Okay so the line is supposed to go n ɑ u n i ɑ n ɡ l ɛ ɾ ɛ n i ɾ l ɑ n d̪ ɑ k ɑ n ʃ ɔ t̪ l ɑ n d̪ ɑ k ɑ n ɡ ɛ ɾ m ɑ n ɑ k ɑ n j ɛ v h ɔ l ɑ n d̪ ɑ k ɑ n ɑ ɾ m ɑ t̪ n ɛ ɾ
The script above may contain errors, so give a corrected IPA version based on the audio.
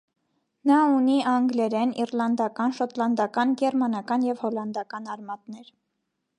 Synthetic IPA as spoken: n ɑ u n i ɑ ŋ ɡ l ɛ ɾ ɛ n i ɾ l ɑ n d̪ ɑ k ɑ n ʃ ɔ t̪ l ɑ n d̪ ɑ k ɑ n ɡ ɛ ɾ m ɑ n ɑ k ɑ n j ɛ v h ɔ l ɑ n d̪ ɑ k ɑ n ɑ ɾ m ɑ t̪ n ɛ ɾ